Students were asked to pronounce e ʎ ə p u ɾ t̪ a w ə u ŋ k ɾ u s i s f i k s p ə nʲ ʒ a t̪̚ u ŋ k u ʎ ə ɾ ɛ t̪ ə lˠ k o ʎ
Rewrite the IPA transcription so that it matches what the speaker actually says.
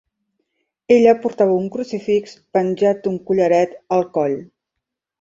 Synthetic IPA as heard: e ʎ ə p u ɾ t̪ a β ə u ŋ k ɾ u s i f i k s p ə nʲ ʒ a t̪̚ u ŋ k u ʎ ə ɾ ɛ t̪ ə lˠ k ɔ ʎ